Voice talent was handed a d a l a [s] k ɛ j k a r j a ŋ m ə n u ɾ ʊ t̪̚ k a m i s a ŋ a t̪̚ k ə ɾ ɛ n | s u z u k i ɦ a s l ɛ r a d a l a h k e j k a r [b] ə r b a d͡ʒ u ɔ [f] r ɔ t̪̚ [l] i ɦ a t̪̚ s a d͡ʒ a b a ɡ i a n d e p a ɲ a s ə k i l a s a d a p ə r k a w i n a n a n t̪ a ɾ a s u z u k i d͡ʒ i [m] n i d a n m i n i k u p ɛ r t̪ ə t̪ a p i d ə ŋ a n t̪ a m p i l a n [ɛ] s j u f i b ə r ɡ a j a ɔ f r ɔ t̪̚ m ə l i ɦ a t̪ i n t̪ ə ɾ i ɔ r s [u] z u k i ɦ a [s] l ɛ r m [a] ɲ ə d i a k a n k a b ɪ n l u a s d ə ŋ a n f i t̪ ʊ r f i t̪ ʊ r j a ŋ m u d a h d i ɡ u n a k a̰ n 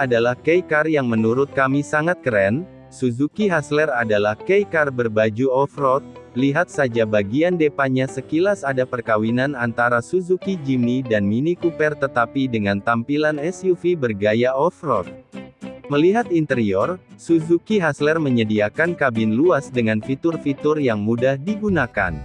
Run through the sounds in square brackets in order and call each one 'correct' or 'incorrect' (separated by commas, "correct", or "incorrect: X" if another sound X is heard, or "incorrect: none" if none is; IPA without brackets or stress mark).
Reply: incorrect: h, correct, correct, correct, correct, correct, correct, correct, incorrect: ə